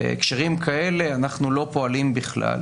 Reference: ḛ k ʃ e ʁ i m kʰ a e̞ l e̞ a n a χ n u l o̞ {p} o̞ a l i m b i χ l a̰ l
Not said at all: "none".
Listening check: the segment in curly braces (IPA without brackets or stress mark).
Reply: p